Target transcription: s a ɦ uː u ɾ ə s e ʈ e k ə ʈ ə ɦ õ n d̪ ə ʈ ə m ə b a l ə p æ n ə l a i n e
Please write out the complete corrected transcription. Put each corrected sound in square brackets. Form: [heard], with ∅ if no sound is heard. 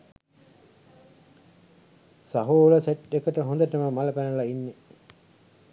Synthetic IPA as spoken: s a ɦ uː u [l] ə s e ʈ e k ə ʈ ə ɦ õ n d̪ ə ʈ ə m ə [m] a l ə p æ n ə l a i [nː] e